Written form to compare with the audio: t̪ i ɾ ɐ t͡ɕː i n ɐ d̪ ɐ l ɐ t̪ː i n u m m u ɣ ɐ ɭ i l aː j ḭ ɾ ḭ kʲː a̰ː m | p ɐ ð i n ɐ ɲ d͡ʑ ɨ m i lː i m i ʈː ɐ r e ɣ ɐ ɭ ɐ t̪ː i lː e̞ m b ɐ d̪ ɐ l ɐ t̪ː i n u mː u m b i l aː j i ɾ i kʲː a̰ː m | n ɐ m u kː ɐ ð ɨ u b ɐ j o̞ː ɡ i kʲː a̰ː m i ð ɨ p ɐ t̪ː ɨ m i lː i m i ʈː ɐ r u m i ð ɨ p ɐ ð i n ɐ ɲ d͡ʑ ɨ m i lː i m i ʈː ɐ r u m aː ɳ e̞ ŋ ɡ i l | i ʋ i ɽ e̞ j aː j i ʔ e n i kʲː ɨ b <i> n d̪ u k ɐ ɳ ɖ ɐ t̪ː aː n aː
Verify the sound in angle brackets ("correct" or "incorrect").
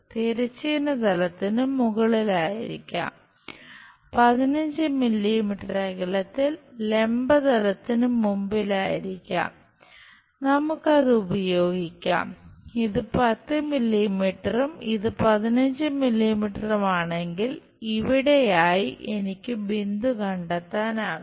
correct